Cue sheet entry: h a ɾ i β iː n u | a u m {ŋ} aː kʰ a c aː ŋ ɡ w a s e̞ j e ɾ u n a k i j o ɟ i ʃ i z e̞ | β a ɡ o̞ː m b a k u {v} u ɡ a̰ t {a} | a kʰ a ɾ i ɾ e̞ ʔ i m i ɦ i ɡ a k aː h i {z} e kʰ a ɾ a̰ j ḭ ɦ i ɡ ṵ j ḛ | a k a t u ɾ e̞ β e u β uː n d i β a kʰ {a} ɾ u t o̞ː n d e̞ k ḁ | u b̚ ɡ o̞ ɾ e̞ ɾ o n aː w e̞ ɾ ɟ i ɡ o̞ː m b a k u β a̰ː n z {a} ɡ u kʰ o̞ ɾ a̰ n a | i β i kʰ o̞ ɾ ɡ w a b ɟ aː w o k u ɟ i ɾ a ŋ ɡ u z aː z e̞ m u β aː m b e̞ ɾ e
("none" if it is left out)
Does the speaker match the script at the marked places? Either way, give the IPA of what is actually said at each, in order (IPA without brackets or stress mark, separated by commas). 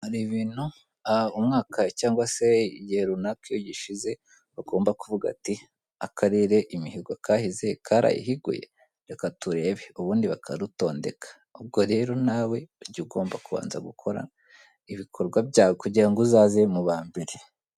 ŋ, v, i, z, a, a